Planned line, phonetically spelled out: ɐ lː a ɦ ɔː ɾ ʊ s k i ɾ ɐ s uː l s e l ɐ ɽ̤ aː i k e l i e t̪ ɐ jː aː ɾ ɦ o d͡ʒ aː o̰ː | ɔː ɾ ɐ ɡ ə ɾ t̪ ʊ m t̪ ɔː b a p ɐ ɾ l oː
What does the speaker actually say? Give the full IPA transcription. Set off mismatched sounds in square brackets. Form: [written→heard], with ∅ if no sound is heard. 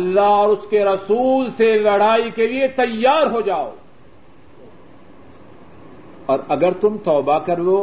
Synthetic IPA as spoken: ɐ lː a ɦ ɔː ɾ ʊ s k [i→e] ɾ ɐ s uː l s e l ɐ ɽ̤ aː i k e l i e t̪ ɐ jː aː ɾ ɦ o d͡ʒ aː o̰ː | ɔː ɾ ɐ ɡ ə ɾ t̪ ʊ m t̪ ɔː b a [p→k] ɐ ɾ l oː